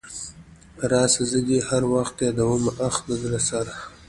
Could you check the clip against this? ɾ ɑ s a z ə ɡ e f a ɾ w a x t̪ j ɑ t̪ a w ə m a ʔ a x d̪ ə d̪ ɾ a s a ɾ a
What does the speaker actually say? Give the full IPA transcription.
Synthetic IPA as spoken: ɾ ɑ s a z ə ɡ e h a ɾ w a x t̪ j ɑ d̪ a w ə m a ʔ a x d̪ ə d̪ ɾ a s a ɾ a